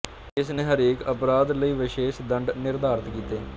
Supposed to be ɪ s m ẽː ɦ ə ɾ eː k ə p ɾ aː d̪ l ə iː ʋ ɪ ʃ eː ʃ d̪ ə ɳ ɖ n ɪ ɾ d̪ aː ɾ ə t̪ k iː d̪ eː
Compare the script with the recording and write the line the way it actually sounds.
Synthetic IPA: ɪ s n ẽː ɦ ə ɾ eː k ə p ɾ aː d̪ l ə iː ʋ ɪ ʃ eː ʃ d̪ ə ɳ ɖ n ɪ ɾ d̪ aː ɾ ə t̪ k iː t̪ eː